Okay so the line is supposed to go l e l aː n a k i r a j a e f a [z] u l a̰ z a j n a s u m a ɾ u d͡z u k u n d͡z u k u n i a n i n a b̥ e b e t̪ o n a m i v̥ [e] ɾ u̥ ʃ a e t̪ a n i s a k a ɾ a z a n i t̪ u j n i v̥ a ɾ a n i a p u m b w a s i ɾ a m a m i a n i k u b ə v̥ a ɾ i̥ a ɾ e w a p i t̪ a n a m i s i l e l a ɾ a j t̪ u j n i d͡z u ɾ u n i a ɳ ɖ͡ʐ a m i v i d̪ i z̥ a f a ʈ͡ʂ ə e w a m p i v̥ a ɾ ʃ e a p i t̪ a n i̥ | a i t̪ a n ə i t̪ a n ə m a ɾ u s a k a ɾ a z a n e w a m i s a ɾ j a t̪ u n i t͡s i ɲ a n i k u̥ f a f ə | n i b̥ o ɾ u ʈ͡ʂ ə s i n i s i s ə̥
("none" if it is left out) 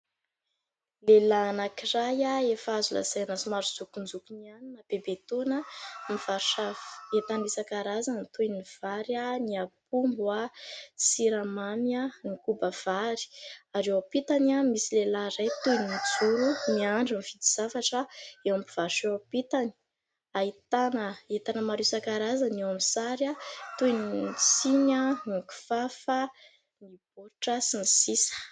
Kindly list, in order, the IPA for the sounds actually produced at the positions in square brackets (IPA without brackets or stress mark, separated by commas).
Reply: z, a